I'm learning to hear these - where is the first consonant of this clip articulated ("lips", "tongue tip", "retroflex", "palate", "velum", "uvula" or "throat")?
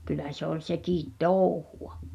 velum